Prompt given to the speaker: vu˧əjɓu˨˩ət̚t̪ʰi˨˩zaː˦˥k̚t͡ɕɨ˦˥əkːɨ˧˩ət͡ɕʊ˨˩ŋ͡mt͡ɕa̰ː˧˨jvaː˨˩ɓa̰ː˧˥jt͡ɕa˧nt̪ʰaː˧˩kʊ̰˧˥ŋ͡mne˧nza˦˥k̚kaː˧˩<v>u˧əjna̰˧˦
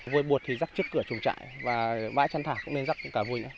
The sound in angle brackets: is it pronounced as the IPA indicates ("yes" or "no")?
yes